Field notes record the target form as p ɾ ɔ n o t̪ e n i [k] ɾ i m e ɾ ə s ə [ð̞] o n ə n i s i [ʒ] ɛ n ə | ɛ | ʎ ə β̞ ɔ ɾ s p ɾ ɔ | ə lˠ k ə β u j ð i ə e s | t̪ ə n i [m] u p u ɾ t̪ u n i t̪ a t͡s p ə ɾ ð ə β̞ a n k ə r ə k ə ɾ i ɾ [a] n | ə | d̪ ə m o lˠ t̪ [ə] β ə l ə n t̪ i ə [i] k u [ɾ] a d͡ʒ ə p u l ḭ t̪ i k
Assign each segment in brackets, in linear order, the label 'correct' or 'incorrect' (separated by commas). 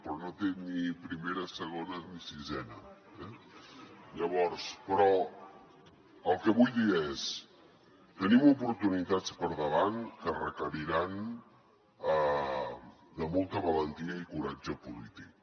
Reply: incorrect, incorrect, incorrect, correct, correct, correct, correct, correct